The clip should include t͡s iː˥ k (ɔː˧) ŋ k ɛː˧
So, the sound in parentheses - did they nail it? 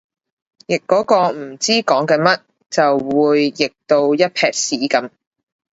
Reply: no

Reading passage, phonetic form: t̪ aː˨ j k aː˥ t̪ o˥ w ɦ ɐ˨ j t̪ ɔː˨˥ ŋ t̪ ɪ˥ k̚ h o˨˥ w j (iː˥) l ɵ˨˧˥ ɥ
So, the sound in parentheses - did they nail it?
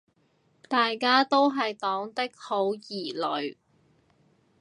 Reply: no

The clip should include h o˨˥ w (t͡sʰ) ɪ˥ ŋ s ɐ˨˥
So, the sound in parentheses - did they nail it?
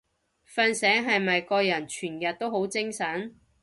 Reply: no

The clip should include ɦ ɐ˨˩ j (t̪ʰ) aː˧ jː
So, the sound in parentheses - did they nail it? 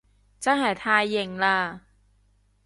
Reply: yes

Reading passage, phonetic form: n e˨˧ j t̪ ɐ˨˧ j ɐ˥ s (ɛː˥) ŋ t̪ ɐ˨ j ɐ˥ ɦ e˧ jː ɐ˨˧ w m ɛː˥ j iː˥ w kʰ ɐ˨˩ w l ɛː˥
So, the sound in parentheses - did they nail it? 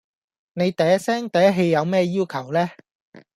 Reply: yes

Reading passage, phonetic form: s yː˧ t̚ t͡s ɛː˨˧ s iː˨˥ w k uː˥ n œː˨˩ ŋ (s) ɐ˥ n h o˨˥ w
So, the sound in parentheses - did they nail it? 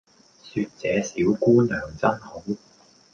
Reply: no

